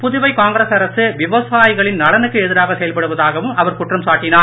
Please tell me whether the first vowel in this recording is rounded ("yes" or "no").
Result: yes